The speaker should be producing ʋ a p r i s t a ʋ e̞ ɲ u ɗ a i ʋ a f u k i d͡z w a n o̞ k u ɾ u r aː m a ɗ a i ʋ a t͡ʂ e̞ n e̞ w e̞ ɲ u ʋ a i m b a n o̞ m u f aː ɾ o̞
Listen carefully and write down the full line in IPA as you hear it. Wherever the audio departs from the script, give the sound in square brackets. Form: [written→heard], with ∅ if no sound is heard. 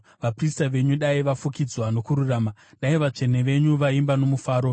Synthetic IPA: ʋ a p r i s t a ʋ e̞ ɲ u ɗ a i ʋ a f u k i d͡z w a n o̞ k u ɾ u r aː m a ɗ a i ʋ a t͡ʂ e̞ n e̞ [w→ʋ] e̞ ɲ u ʋ a i m b a n o̞ m u f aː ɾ o̞